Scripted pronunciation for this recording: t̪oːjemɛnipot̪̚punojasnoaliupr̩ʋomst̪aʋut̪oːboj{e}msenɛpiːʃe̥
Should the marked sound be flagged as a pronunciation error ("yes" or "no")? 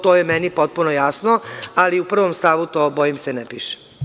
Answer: yes